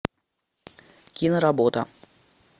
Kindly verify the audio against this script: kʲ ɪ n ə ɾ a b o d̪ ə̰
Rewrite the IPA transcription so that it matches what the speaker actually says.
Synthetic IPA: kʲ i n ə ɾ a b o t̪ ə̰